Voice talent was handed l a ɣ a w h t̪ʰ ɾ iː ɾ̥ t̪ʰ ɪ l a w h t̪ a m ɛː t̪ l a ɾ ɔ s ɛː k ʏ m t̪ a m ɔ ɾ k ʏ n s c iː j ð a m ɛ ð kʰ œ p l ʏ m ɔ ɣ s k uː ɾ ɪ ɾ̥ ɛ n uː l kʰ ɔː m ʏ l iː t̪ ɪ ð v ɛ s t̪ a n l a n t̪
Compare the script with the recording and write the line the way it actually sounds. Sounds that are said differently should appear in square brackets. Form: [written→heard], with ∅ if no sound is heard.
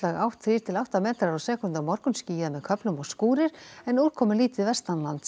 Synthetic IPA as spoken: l a ɣ a w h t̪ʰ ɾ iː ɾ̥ t̪ʰ ɪ l a w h t̪ a m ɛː t̪ [l→ɾ] a ɾ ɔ s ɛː k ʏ [m→n] t̪ a m ɔ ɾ k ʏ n s c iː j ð a m ɛ ð kʰ œ p l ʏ m ɔ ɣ s k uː ɾ ɪ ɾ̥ ɛ n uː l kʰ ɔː m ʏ l iː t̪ ɪ ð v ɛ s t̪ a n l a n t̪